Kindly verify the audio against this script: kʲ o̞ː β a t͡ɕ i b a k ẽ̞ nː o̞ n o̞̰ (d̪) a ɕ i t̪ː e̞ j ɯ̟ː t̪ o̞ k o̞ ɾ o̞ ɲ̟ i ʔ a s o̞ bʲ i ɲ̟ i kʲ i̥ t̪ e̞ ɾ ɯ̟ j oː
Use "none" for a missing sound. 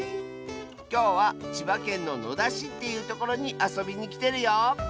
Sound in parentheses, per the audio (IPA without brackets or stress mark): d̪